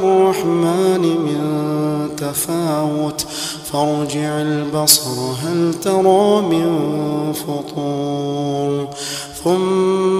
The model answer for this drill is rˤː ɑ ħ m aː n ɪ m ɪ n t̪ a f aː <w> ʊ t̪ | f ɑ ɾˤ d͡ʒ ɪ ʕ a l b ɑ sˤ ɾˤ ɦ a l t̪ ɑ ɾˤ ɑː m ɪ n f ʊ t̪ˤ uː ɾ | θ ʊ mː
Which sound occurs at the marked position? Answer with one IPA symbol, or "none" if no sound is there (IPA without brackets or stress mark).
w